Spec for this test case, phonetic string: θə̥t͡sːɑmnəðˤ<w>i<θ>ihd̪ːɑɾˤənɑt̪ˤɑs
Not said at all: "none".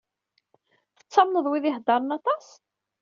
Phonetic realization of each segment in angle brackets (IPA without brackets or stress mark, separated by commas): w, ð